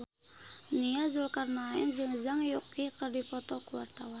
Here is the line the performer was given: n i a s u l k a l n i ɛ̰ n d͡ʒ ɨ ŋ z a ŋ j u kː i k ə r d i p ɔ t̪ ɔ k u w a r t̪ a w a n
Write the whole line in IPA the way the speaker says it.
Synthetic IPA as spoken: n i a z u l k a r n a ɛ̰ n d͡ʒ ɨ ŋ z a ŋ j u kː i k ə r d i p ɔ t̪ ɔ k u w a r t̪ a w a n